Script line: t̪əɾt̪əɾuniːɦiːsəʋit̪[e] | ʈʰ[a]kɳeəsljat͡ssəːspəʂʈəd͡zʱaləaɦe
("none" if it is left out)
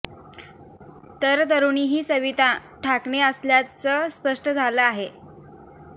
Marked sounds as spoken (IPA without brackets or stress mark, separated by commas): a, a